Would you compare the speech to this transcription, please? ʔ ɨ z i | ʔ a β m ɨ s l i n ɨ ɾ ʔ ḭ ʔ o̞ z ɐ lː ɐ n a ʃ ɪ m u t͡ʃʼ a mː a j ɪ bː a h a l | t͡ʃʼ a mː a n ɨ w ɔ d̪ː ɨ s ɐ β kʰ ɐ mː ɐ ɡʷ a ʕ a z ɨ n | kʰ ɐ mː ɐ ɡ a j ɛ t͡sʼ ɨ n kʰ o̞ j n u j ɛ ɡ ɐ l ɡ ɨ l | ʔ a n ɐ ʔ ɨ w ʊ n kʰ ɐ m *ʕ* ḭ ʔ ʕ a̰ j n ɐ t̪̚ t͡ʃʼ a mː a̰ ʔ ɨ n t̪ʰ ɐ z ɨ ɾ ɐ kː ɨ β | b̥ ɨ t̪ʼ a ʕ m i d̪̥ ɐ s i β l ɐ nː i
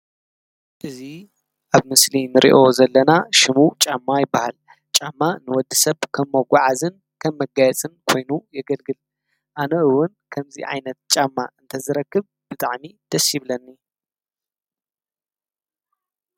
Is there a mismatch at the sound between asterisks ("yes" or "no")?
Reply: yes